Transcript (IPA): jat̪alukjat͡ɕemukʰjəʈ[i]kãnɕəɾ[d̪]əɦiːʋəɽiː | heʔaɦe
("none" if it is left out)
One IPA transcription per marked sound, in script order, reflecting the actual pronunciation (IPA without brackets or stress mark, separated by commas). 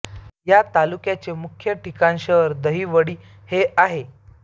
i, d̪